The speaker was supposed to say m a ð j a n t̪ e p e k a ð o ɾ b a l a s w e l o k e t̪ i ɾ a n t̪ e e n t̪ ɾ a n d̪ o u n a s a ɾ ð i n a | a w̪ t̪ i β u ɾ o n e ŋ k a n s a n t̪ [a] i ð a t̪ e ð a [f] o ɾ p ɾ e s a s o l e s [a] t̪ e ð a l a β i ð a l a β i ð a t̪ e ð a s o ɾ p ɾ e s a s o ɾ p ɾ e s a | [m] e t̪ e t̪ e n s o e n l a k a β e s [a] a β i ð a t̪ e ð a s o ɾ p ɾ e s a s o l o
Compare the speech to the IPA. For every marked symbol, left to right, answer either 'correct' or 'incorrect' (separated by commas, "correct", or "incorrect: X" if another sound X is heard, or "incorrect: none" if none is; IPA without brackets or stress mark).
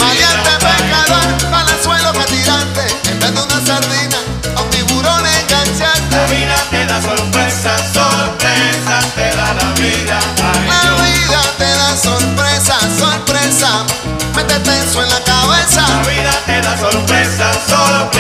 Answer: incorrect: e, incorrect: s, correct, correct, correct